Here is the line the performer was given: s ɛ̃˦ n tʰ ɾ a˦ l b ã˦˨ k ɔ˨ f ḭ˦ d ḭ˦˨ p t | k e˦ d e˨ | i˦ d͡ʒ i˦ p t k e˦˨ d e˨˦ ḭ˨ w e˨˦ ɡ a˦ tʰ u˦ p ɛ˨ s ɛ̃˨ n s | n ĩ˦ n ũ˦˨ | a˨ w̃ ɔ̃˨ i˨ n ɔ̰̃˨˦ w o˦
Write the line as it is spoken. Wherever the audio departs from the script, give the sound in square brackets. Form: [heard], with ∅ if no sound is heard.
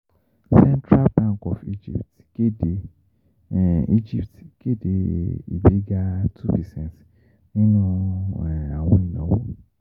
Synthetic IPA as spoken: s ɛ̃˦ n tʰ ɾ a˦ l b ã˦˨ k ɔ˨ f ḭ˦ [d͡ʒ] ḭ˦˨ p t | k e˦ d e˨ | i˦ d͡ʒ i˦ p t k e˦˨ d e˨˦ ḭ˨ [b] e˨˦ ɡ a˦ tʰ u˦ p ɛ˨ s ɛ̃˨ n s | n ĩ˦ n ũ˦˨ | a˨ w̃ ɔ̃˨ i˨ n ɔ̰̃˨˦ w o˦